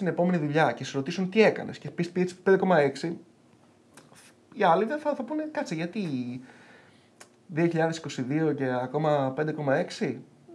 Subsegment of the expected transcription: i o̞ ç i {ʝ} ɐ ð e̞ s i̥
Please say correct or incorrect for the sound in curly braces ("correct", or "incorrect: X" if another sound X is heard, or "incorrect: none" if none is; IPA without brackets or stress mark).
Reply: incorrect: ʎ